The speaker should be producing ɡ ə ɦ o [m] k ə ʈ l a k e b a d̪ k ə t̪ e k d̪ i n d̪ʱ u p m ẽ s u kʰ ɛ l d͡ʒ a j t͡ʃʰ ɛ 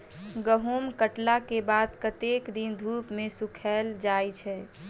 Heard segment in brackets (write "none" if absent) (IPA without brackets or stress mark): m